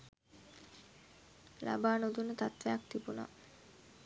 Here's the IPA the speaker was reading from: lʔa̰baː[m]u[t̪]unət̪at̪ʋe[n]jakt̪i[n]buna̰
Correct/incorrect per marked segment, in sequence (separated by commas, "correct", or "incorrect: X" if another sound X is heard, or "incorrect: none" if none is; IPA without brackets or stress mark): incorrect: n, incorrect: d̪, incorrect: none, incorrect: none